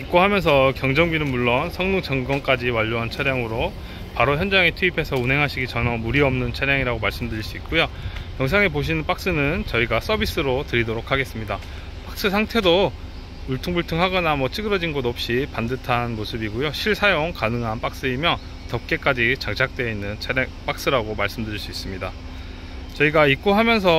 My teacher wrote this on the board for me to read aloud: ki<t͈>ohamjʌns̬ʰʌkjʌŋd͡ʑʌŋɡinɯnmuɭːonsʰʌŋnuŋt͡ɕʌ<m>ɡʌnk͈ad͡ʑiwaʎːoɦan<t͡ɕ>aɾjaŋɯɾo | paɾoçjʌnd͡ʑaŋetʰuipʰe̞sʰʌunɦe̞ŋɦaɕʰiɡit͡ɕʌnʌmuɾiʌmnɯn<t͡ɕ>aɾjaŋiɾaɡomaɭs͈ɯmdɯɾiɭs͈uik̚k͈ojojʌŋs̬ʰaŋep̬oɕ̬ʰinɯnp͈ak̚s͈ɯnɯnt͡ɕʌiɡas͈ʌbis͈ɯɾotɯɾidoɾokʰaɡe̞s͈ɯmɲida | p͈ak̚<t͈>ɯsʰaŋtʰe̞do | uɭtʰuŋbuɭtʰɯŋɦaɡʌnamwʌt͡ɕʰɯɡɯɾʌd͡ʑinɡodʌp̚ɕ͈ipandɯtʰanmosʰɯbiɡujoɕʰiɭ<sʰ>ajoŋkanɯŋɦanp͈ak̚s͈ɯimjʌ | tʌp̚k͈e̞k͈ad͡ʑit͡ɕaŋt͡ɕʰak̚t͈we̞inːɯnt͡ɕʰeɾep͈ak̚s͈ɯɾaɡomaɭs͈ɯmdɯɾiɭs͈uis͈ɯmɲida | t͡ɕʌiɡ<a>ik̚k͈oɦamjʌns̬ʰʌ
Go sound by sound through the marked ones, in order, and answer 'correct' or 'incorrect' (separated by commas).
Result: incorrect, incorrect, incorrect, incorrect, incorrect, correct, correct